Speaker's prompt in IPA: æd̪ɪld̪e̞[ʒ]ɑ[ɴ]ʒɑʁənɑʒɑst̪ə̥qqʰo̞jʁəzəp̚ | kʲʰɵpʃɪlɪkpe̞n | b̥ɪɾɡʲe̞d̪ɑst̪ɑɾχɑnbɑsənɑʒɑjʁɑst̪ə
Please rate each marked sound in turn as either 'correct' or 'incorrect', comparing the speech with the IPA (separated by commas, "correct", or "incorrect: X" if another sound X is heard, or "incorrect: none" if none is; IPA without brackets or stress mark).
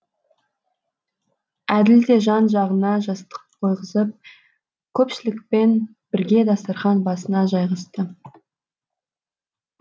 correct, incorrect: n